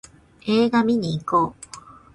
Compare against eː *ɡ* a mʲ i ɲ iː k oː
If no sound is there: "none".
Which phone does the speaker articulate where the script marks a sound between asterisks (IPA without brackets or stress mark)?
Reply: ɡ